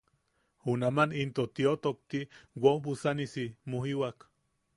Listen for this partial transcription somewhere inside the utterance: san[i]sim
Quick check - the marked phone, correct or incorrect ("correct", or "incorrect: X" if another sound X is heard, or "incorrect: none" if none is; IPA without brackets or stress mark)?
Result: correct